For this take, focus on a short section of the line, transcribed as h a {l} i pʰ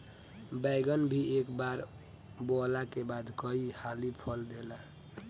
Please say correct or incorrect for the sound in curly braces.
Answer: correct